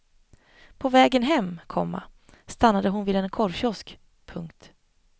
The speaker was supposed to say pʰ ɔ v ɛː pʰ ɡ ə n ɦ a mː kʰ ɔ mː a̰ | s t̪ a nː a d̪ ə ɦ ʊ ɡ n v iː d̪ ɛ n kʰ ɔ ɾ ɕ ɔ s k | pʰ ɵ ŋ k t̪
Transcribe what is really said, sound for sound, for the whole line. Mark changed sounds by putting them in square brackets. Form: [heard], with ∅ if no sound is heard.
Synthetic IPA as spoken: pʰ ɔ v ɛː [∅] ɡ ə n ɦ [ɛ] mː kʰ ɔ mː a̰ | s t̪ a nː a d̪ ə ɦ ʊ [∅] n v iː d̪ ɛ n kʰ ɔ ɾ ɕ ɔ s k | pʰ ɵ ŋ k t̪